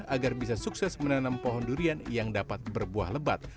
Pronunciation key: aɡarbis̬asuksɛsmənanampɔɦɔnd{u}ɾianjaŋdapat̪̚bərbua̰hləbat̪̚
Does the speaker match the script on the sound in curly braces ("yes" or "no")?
yes